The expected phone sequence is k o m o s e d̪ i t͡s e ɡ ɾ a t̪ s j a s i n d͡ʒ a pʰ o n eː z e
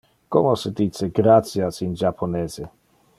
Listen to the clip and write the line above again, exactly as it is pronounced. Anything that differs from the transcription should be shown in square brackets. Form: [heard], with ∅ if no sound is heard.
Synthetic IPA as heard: k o m o s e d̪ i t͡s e ɡ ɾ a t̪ s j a s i n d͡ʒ a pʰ o n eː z e